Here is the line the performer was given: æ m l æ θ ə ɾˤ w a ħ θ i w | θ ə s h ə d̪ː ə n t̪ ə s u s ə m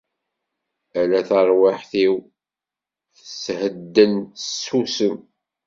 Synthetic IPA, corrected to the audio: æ l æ θ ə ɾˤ w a ħ θ i w | θ ə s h ə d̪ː ə n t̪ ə s u s ə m